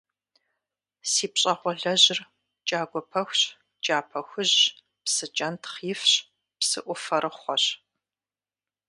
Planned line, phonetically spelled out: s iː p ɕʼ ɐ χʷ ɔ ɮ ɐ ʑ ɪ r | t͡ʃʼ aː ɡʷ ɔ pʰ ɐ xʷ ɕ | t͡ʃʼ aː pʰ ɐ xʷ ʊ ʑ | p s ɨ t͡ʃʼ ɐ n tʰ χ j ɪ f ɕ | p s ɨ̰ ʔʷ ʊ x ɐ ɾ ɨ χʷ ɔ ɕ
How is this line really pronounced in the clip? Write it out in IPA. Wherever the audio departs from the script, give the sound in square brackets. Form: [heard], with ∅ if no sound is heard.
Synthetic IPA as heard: s iː p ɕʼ ɐ χʷ ɔ ɮ ɐ ʑ ɪ r | t͡ʃʼ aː ɡʷ ɔ pʰ ɐ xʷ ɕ | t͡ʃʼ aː pʰ ɐ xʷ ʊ ʑ | p s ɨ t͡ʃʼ ɐ n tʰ χ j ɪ f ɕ | p s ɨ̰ ʔʷ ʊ [f] ɐ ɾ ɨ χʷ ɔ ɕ